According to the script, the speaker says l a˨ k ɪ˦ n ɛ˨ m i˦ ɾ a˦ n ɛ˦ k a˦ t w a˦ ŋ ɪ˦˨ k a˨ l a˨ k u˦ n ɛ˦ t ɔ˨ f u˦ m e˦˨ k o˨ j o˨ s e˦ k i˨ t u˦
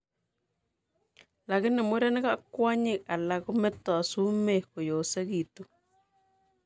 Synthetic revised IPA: l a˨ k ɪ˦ n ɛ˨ m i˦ ɾ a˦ n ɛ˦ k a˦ k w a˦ ɲ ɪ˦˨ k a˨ l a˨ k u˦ m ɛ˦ t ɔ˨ s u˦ m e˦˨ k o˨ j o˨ s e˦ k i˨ t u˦